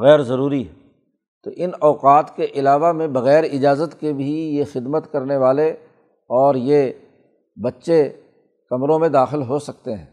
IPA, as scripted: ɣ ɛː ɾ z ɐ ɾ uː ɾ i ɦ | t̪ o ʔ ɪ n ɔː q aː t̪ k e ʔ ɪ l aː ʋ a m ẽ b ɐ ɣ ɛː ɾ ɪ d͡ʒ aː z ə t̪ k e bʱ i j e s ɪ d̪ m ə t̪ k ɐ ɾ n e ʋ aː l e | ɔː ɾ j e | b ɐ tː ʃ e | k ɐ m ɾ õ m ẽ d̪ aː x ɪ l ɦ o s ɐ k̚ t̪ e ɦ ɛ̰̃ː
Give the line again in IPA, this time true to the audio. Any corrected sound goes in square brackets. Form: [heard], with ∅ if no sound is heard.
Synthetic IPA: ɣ ɛː ɾ z ɐ ɾ uː ɾ i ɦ | t̪ o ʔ ɪ n ɔː q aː t̪ k e ʔ ɪ l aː ʋ a m ẽ b ɐ ɣ ɛː ɾ ɪ d͡ʒ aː z ə t̪ k e bʱ i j e [x] ɪ d̪ m ə t̪ k ɐ ɾ n e ʋ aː l e | ɔː ɾ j e | b ɐ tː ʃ e | k ɐ m ɾ õ m ẽ d̪ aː x ɪ l ɦ o s ɐ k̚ t̪ e ɦ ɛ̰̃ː